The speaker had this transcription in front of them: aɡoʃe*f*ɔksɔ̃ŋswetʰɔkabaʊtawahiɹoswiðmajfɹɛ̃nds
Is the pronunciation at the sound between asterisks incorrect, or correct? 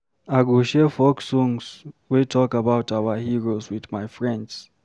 correct